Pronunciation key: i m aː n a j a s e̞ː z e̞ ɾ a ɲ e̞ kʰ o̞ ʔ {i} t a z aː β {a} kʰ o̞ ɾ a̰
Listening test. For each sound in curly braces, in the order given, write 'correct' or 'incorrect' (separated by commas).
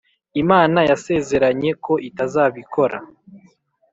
correct, incorrect